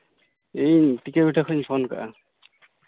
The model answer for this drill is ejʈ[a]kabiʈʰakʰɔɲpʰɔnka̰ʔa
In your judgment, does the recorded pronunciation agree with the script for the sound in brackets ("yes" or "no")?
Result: no